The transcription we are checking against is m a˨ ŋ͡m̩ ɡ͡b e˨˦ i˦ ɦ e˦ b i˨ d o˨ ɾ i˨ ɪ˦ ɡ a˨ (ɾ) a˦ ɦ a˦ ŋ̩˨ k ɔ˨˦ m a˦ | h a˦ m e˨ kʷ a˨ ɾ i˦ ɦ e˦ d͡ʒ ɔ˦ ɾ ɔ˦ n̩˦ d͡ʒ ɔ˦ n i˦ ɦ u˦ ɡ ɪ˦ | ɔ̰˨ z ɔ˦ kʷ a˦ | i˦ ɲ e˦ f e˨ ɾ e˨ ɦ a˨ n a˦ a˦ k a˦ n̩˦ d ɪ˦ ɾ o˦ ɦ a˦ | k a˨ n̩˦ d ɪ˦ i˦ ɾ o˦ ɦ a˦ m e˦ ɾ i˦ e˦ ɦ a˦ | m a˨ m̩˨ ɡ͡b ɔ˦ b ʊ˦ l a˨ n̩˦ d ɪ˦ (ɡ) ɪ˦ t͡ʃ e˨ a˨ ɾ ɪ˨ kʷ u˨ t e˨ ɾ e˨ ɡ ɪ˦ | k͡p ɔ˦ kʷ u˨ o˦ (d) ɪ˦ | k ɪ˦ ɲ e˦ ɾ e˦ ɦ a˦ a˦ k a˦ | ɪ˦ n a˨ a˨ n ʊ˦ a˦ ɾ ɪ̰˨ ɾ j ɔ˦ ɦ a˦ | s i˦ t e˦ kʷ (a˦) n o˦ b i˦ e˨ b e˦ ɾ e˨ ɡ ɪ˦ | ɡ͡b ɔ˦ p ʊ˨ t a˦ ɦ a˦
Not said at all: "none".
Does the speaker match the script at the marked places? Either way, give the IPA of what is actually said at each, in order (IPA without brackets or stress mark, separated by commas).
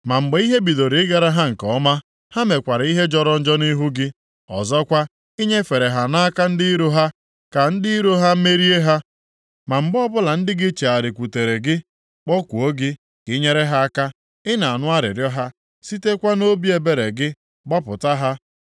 ɾ, ɡ, ɡ, a˦